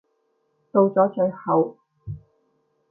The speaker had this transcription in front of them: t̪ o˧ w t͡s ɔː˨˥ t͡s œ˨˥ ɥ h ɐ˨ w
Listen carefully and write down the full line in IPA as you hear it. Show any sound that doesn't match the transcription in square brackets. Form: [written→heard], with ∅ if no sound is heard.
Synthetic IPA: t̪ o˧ w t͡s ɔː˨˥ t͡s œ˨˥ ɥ h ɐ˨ w